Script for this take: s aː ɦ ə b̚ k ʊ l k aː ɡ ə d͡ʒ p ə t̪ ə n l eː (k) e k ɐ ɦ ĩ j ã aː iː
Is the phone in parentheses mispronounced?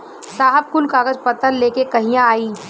no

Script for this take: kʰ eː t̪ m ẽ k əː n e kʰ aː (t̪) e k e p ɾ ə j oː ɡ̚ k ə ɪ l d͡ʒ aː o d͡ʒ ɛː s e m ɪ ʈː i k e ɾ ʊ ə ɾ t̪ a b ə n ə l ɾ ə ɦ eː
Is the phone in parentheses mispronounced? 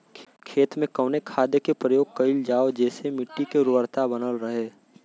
yes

